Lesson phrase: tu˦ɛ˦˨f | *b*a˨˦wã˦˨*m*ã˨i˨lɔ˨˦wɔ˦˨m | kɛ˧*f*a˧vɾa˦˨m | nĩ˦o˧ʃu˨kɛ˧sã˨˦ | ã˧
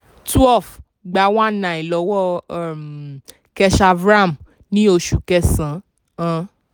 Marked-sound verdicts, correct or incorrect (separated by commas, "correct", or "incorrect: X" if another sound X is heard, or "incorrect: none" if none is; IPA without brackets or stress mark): incorrect: ɡ͡b, incorrect: n, incorrect: ʃ